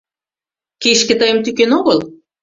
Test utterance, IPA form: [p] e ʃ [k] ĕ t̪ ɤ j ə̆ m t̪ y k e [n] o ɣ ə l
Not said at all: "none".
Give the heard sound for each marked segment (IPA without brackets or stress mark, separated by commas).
k, k, n